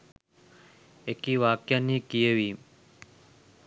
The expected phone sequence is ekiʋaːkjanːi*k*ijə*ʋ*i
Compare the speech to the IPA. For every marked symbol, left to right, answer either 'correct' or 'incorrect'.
correct, correct

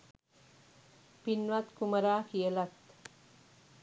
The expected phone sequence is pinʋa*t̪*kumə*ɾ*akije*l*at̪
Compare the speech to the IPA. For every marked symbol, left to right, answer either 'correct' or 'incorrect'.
correct, correct, correct

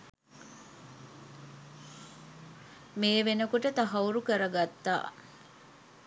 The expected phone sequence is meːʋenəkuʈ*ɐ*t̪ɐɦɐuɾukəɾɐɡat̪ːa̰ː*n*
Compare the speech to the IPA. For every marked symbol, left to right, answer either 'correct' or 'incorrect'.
incorrect: ə, incorrect: none

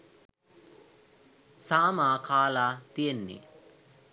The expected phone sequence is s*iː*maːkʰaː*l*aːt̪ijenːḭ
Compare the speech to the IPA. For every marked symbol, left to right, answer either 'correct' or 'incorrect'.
incorrect: aː, correct

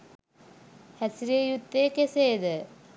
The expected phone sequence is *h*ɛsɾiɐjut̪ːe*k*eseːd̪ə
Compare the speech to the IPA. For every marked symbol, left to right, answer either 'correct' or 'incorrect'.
correct, correct

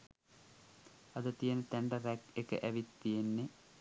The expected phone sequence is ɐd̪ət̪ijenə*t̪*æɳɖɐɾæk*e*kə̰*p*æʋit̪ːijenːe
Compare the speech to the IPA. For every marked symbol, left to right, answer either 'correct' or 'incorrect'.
correct, correct, incorrect: ʔ

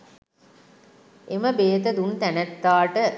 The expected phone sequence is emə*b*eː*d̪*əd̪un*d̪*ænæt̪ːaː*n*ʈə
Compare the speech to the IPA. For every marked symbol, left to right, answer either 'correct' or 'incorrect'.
correct, incorrect: t̪, incorrect: t̪, incorrect: none

